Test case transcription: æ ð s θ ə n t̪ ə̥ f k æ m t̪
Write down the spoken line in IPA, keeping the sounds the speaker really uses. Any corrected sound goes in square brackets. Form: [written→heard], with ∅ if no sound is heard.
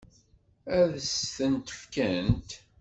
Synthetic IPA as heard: æ ð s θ ə n t̪ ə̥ f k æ [m→n] t̪